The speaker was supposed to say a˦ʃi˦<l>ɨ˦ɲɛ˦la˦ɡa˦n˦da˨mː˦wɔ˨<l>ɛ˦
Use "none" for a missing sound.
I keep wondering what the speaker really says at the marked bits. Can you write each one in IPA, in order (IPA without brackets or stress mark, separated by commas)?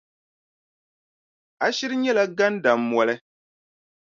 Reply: ɾ, l